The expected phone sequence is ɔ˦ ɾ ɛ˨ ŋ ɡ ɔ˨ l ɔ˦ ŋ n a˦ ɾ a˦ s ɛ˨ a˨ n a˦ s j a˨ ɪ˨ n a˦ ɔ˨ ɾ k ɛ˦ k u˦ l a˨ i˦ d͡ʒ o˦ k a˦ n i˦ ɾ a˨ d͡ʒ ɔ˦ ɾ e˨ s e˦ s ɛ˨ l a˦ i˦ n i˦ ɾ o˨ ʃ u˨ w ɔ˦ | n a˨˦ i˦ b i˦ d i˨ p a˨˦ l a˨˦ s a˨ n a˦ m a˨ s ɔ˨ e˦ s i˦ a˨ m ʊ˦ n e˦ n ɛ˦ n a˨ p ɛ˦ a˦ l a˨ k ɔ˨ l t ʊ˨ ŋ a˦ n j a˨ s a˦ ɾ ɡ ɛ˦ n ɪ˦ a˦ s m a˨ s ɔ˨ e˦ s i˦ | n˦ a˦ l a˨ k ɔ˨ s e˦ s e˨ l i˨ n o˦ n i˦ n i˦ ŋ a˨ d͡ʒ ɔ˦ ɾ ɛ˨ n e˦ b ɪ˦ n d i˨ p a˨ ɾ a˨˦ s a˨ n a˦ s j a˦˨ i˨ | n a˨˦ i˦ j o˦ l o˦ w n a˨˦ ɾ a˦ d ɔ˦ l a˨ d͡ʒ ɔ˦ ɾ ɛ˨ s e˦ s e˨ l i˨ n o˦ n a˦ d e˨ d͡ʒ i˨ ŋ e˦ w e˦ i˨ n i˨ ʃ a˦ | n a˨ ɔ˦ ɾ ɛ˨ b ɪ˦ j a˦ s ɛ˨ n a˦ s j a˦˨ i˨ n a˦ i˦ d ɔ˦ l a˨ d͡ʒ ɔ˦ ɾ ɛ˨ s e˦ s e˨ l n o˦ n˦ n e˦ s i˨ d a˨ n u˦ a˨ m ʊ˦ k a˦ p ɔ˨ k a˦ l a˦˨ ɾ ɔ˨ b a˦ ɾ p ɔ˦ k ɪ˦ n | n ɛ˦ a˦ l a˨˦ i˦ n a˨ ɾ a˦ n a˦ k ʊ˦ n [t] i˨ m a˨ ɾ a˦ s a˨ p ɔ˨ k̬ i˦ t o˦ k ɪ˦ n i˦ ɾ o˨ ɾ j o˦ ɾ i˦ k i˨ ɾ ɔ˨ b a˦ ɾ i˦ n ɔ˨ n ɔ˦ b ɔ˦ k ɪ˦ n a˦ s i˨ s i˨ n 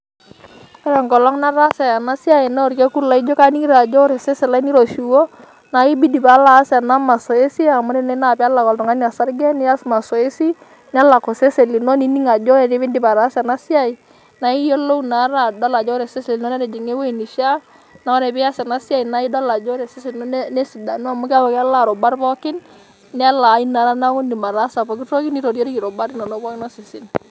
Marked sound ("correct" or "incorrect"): incorrect